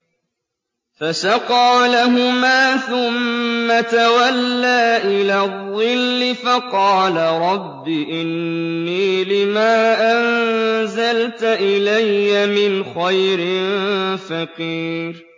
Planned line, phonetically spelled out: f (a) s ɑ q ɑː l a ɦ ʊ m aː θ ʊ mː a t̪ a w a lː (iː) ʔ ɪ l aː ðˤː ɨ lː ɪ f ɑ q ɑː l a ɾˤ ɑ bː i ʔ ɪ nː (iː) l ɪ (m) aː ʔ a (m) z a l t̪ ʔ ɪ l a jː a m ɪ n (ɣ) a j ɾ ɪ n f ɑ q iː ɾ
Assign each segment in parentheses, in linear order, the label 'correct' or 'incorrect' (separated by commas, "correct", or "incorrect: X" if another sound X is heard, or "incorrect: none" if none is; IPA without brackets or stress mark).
correct, incorrect: aː, correct, correct, incorrect: n, incorrect: x